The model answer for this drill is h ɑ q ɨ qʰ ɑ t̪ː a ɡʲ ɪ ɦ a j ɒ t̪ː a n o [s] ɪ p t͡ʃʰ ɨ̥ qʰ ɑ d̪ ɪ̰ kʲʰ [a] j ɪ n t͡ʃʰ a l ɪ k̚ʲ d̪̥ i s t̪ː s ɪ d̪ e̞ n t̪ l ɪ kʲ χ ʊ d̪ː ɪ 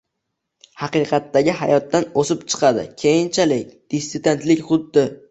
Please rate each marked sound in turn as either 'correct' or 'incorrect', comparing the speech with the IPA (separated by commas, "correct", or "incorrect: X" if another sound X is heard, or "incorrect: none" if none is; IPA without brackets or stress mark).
correct, incorrect: e